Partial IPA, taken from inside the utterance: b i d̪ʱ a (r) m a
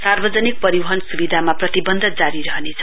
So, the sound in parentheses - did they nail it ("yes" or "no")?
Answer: no